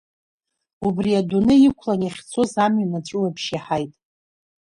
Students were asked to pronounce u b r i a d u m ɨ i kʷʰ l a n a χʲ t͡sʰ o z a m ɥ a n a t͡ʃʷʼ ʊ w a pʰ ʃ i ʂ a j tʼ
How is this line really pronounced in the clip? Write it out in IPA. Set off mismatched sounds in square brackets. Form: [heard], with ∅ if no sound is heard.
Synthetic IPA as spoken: u b r i a d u [n] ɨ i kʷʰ l a n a χʲ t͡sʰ o z a m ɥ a n a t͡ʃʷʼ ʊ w a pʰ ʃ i [ħ] a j tʼ